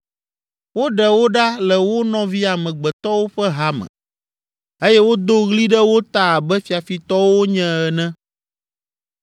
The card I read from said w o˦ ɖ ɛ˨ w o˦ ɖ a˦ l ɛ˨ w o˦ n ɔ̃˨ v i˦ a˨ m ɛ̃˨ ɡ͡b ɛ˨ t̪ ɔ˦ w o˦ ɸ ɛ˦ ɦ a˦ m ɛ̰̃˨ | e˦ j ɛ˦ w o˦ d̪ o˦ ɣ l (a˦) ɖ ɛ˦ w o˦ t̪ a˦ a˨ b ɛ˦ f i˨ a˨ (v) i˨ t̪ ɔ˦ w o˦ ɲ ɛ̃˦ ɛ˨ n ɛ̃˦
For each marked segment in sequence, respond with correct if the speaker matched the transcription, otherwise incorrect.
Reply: incorrect: i˦, incorrect: f

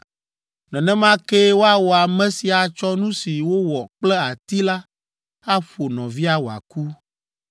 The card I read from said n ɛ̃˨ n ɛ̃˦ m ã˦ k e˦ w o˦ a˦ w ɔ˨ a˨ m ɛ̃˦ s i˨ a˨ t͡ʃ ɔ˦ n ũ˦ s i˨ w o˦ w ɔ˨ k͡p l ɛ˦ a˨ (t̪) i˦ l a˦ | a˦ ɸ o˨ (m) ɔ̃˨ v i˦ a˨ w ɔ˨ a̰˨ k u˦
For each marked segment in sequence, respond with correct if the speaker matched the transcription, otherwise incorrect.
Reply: correct, incorrect: n

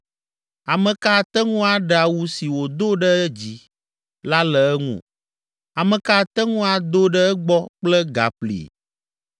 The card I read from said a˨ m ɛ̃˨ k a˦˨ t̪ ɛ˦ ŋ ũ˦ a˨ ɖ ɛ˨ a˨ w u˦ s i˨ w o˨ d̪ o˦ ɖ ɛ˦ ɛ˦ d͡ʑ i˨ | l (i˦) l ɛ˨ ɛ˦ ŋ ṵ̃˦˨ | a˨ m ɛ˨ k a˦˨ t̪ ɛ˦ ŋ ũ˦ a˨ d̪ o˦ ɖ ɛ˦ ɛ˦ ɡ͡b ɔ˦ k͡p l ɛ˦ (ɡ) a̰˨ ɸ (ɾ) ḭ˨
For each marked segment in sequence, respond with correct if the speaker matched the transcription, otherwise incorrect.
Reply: incorrect: a˦, correct, incorrect: l

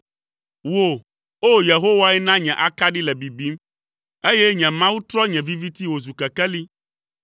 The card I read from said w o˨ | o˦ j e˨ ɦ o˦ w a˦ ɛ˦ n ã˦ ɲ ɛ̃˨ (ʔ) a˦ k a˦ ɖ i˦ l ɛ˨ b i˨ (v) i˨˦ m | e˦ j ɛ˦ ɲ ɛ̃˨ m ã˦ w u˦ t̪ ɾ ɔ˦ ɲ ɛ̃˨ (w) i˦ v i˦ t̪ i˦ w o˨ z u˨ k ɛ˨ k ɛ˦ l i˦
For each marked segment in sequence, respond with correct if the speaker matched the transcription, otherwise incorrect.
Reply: correct, incorrect: b, incorrect: v

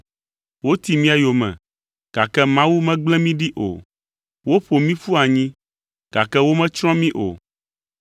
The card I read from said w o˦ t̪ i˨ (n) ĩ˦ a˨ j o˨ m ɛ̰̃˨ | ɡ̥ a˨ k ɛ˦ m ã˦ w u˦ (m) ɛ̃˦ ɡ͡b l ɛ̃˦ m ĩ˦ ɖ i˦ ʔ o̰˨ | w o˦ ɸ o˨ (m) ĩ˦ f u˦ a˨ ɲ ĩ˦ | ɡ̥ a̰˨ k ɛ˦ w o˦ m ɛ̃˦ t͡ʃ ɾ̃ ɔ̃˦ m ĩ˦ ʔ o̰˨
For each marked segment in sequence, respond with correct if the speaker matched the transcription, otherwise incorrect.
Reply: incorrect: m, correct, correct

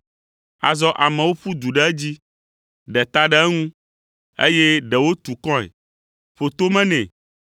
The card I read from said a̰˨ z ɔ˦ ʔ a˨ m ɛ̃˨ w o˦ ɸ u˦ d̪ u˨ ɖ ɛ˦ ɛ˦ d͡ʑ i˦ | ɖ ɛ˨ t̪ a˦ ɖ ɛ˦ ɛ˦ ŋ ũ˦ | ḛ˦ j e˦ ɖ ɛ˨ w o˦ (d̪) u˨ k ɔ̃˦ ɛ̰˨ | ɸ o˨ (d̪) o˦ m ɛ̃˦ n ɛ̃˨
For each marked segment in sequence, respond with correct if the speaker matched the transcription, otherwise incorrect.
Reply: incorrect: t̪, incorrect: t̪

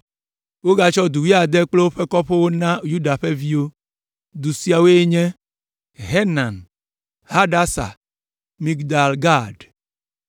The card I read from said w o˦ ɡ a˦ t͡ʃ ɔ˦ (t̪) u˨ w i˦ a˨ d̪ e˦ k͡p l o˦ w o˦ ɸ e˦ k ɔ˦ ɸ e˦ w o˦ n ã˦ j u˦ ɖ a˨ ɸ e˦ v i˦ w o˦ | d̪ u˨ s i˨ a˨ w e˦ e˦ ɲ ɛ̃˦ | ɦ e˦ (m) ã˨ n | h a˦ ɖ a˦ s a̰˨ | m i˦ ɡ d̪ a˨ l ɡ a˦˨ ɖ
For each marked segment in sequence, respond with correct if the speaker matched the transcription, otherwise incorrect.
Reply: incorrect: d̪, incorrect: n

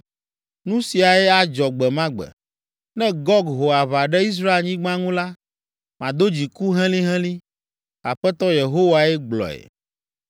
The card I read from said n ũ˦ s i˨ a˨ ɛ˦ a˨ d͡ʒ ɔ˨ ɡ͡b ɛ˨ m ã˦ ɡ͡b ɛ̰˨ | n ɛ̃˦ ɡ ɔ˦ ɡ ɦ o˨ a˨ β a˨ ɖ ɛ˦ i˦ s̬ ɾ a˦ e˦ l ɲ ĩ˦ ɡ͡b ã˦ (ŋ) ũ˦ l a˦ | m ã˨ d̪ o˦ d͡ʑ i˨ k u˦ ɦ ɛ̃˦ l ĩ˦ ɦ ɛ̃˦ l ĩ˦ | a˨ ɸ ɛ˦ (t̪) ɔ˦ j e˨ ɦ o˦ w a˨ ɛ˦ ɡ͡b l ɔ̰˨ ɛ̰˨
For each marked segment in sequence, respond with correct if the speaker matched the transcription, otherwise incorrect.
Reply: correct, correct

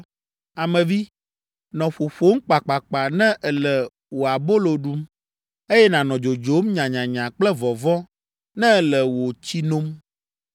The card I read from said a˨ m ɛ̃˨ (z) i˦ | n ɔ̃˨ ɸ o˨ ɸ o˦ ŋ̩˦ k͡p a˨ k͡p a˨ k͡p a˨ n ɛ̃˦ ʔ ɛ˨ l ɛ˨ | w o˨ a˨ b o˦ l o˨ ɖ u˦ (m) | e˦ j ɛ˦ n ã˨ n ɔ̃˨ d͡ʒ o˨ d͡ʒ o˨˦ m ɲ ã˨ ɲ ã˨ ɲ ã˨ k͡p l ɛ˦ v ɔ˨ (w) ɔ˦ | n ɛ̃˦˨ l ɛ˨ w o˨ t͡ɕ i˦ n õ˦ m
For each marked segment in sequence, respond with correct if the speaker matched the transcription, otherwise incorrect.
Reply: incorrect: v, correct, incorrect: v

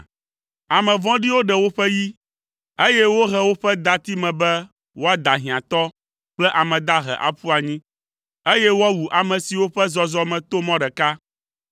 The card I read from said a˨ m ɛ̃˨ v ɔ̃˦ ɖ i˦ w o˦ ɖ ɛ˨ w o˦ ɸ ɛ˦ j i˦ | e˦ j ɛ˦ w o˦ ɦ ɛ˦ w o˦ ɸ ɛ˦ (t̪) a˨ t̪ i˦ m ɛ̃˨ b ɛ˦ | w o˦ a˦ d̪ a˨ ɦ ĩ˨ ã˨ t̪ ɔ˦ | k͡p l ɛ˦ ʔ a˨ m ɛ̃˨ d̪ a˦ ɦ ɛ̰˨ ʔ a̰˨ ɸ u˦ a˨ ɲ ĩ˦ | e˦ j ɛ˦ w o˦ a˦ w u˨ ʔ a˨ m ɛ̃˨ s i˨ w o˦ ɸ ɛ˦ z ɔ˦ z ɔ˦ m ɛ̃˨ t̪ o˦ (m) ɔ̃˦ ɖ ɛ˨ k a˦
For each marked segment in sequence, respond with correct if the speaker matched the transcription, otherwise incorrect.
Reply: incorrect: d̪, correct

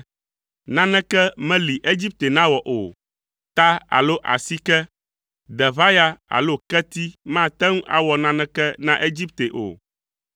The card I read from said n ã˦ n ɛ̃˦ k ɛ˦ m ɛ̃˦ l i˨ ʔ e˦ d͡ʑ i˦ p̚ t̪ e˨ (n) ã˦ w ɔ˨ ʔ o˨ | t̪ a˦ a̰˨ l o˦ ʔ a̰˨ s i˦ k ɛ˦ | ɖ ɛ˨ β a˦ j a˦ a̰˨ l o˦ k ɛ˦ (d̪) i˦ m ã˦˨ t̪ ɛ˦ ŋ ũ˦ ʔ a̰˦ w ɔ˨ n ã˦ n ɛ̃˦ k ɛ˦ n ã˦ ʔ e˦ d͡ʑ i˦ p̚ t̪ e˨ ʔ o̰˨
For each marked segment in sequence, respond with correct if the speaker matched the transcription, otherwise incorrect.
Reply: correct, incorrect: t̪

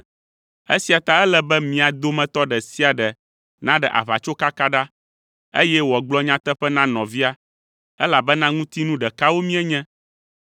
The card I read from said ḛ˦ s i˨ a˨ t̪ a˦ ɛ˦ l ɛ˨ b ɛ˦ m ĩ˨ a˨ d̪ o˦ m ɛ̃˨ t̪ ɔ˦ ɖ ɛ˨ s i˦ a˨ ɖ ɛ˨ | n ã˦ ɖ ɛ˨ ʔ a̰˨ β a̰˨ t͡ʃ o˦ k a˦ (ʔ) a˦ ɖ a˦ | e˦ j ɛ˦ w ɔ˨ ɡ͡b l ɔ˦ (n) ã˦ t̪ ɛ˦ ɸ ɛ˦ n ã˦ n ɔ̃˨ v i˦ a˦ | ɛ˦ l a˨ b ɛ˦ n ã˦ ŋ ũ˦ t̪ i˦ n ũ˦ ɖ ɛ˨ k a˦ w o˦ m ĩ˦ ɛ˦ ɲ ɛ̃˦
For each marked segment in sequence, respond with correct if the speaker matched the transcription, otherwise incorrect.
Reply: incorrect: k, incorrect: ɲ

